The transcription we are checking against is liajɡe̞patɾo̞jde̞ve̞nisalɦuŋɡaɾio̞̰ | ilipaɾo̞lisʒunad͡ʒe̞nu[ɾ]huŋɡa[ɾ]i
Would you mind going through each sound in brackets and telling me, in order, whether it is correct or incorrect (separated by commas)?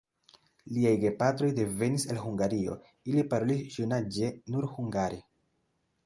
correct, correct